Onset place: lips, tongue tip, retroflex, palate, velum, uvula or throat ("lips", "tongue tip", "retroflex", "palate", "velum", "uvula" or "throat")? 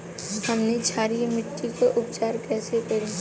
throat